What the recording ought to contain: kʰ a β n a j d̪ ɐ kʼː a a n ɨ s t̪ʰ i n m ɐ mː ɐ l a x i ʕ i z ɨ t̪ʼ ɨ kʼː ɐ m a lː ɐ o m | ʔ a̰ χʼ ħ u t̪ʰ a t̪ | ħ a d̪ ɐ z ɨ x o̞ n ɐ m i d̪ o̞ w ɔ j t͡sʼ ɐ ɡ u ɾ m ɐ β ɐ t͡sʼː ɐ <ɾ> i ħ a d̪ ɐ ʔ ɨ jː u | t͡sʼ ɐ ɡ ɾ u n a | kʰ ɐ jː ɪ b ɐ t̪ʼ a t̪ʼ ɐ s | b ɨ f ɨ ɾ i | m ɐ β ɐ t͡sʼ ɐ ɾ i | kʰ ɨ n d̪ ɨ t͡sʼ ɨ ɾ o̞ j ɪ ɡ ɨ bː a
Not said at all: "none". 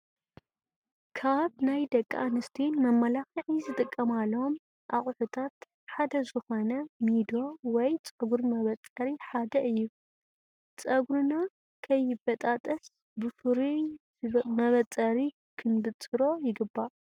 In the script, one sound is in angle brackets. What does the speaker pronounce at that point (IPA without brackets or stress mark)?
ɾ